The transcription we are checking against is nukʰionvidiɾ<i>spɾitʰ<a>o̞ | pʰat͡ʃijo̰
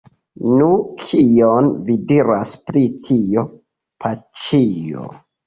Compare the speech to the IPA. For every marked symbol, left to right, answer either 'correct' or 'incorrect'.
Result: incorrect: a, incorrect: i

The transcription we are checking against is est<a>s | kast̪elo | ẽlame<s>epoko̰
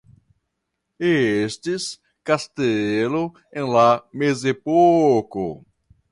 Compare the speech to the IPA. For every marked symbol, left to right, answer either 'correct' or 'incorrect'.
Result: incorrect: i, incorrect: z

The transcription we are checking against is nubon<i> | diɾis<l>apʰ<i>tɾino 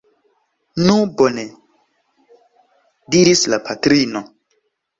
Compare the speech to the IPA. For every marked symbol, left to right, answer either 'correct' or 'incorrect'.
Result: incorrect: e, correct, incorrect: a

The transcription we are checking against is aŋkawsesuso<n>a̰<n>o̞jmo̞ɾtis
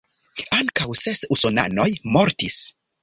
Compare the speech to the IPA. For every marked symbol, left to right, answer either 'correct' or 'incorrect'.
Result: correct, correct

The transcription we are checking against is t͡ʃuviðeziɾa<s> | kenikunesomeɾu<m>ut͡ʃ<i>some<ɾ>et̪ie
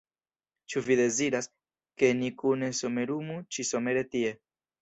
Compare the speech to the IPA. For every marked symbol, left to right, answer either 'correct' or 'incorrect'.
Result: correct, correct, correct, correct

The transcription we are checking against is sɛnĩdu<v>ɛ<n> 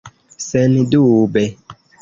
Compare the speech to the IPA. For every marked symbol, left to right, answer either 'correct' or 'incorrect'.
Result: incorrect: b, incorrect: none

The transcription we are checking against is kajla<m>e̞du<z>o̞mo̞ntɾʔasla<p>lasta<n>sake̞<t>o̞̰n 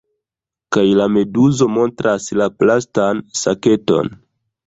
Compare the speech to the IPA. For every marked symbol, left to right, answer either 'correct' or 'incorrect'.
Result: correct, correct, correct, correct, correct

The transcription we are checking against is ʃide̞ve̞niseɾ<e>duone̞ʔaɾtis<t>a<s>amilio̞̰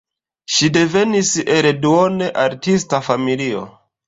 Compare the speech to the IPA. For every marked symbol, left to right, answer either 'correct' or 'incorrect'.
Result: correct, correct, incorrect: f

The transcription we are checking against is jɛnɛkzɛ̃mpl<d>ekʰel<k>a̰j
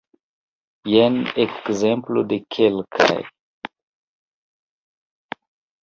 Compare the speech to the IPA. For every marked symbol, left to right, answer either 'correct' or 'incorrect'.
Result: correct, incorrect: kʰ

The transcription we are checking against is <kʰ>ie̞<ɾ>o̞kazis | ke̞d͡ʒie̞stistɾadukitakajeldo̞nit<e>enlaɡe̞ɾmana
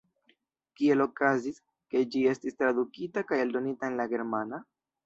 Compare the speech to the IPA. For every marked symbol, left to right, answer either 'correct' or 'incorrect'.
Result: incorrect: k, incorrect: l, incorrect: a

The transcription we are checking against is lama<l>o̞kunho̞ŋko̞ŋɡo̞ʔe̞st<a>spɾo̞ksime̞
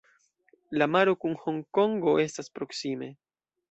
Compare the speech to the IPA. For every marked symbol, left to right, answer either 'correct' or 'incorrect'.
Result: incorrect: ɾ, correct

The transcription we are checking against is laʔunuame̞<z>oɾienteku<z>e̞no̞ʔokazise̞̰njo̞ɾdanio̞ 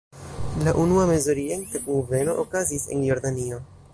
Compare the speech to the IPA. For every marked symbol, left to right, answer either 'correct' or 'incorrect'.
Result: correct, incorrect: v

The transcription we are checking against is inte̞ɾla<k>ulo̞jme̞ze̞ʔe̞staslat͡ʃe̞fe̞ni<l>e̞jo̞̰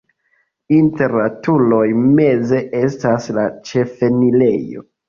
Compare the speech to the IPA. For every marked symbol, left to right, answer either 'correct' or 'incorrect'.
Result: incorrect: t, correct

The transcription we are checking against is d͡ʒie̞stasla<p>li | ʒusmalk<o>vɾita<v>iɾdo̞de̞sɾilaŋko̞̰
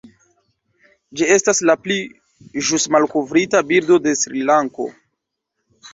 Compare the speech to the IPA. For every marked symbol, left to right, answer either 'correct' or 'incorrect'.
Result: correct, correct, incorrect: b

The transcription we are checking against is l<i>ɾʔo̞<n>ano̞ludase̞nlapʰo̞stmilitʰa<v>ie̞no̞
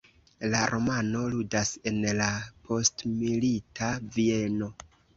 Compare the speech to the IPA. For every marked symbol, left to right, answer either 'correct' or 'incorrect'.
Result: incorrect: a, incorrect: m, correct

